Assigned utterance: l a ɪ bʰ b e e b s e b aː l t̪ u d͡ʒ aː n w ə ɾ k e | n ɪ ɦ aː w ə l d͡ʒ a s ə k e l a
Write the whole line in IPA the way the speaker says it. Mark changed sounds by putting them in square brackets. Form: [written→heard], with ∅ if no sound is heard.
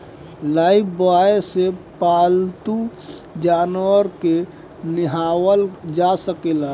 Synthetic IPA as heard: l a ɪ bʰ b [e→a] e [b→∅] s e [b→p] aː l t̪ u d͡ʒ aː n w ə ɾ k e | n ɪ ɦ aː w ə l d͡ʒ a s ə k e l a